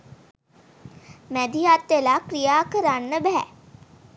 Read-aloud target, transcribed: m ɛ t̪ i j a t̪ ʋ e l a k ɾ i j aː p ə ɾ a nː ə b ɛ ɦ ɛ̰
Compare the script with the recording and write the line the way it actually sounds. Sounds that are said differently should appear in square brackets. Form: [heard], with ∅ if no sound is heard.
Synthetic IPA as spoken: m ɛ [d̪] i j a t̪ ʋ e l a k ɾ i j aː [k] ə ɾ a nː ə b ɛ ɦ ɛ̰